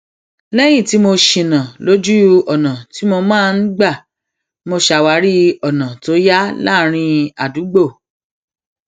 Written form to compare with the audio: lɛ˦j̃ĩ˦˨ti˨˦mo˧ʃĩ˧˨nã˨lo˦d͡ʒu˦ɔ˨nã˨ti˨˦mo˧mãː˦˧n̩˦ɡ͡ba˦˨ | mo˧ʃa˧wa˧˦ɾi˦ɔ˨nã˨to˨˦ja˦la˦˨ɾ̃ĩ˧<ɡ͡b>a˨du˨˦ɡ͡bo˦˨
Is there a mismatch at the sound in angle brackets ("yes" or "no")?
yes